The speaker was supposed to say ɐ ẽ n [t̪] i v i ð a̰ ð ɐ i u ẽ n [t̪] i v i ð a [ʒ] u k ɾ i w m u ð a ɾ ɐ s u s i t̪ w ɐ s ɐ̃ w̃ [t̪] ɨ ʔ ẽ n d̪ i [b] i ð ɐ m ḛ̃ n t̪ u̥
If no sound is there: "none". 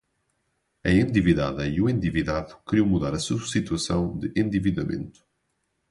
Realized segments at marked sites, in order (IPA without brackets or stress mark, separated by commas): d̪, d̪, ð, d̪, v